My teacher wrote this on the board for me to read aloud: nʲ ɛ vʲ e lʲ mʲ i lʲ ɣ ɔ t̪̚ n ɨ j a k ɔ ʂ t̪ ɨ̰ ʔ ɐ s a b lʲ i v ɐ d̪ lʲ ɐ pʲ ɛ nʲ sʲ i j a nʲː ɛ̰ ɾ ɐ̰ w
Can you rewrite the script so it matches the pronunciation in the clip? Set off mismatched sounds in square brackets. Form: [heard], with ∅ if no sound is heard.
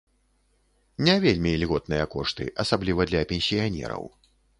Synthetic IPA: nʲ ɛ vʲ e lʲ mʲ i lʲ ɣ ɔ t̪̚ n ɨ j [ɐ] k ɔ ʂ t̪ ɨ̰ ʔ ɐ s a b lʲ i v ɐ d̪ lʲ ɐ pʲ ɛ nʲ sʲ i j a [nʲ] ɛ̰ ɾ ɐ̰ w